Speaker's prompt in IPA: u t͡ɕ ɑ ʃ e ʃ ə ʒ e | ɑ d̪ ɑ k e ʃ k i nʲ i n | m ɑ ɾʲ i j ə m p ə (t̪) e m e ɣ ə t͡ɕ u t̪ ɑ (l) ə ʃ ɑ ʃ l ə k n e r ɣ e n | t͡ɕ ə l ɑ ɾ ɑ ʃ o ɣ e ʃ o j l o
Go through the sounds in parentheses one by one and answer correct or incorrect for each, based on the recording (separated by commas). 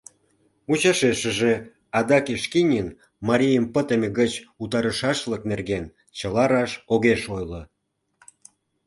correct, incorrect